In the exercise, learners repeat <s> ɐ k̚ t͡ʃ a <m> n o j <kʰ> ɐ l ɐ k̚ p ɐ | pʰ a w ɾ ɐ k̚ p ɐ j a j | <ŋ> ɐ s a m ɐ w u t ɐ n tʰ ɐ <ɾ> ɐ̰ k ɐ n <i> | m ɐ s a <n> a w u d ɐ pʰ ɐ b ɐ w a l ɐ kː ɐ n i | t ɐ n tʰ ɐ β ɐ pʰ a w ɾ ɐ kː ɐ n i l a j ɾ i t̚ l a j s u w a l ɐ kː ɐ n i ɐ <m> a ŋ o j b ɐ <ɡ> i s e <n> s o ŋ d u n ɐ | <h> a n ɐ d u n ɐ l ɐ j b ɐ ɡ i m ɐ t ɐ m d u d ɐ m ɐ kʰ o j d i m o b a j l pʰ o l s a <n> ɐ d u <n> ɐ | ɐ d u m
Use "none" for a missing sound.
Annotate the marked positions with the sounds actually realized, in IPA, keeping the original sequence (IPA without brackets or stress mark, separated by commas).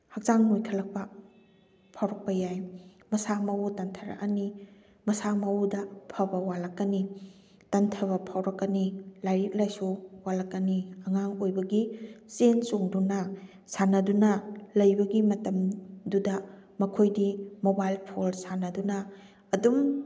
h, ŋ, kʰ, m, ɾ, i, m, ŋ, ɡ, n, s, n, n